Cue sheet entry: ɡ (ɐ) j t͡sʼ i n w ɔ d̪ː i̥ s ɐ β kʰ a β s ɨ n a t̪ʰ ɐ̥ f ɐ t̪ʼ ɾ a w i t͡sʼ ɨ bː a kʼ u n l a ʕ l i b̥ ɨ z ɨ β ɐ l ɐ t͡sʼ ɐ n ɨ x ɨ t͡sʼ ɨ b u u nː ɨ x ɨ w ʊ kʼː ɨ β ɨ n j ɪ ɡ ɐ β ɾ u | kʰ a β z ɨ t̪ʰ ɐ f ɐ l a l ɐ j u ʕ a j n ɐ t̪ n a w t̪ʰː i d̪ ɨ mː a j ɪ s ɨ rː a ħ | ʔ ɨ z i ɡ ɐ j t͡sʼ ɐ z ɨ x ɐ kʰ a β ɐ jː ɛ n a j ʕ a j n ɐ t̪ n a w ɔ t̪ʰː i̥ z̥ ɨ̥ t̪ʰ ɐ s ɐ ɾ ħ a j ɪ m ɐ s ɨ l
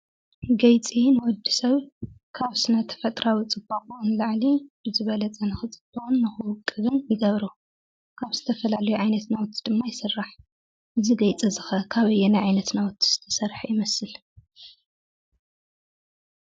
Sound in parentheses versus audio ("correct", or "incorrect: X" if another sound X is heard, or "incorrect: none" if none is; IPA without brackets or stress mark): correct